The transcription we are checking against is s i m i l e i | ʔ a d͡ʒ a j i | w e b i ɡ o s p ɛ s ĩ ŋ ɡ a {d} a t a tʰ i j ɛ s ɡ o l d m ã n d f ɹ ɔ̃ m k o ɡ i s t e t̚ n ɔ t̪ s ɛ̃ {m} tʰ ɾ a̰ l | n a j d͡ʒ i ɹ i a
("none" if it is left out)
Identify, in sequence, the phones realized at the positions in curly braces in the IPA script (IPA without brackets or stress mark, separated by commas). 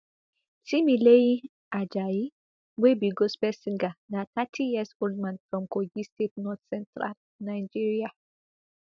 n, n